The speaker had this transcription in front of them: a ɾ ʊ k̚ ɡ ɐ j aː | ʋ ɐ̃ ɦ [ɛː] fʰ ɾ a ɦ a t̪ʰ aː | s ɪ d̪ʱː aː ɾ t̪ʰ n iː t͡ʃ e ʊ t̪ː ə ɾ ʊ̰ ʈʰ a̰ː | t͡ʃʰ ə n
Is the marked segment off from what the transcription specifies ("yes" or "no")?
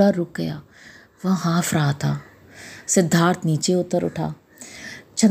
yes